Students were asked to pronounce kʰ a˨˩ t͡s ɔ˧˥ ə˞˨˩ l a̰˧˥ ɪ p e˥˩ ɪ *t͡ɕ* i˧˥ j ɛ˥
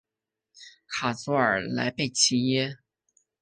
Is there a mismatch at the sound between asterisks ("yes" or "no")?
yes